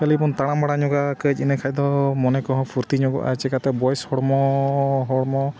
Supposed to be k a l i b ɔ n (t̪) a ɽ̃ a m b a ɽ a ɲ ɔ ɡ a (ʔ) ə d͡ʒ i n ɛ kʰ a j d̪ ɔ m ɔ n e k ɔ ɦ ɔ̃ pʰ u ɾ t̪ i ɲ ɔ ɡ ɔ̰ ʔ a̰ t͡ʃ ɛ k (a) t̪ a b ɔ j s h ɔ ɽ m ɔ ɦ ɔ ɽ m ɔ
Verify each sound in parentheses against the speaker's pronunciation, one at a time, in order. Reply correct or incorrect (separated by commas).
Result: correct, incorrect, correct